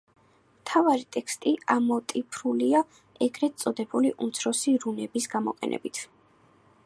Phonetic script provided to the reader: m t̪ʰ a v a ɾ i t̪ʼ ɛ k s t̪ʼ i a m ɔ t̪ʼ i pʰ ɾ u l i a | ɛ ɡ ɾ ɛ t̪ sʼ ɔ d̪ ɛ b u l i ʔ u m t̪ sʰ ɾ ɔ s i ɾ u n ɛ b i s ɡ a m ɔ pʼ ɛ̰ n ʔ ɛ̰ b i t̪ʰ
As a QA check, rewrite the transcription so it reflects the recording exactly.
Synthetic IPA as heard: m t̪ʰ a v a ɾ i t̪ʼ ɛ k s t̪ʼ i a m ɔ t̪ʼ i pʰ ɾ u l i a | ɛ ɡ ɾ ɛ t̪ sʼ ɔ d̪ ɛ b u l i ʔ u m t̪ sʰ ɾ ɔ s i ɾ u n ɛ b i s ɡ a m ɔ qʼ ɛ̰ n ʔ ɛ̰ b i t̪ʰ